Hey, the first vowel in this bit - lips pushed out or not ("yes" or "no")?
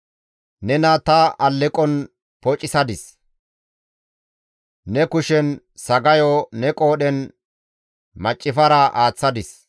no